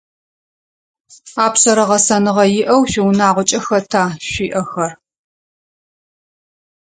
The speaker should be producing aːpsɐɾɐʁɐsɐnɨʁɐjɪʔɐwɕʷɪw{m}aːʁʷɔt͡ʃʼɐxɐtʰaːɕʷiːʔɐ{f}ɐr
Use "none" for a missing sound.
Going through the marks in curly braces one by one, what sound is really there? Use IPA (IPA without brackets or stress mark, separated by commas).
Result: n, x